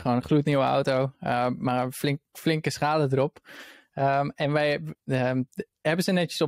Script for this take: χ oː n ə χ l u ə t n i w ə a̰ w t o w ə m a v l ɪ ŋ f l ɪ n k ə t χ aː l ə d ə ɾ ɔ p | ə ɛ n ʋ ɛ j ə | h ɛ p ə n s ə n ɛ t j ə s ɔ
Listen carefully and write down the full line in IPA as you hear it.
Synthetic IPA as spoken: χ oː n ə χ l u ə t n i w ə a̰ w t o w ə m a f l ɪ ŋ f l ɪ ŋ k ə s χ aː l ə d ə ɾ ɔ p | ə ɛ n ʋ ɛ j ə | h ɛ b ə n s ə n ɛ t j ə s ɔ